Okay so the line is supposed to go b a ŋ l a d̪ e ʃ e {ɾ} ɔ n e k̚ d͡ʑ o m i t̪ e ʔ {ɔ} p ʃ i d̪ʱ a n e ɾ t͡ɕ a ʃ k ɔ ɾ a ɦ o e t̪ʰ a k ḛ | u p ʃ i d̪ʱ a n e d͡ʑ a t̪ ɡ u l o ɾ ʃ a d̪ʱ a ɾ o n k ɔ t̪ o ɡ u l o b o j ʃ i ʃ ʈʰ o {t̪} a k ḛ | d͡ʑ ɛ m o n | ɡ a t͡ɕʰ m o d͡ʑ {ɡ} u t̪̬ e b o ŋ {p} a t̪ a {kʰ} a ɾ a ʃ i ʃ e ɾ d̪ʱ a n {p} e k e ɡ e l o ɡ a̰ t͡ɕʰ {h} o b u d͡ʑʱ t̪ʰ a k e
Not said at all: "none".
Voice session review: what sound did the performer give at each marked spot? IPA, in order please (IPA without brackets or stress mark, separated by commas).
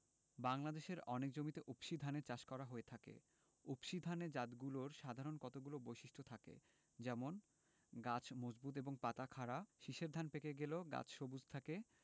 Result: ɾ, u, t̪ʰ, b, p, kʰ, p, ʃ